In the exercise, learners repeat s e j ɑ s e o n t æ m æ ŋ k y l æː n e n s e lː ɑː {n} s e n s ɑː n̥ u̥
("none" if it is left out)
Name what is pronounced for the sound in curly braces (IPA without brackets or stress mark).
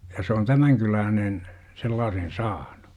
none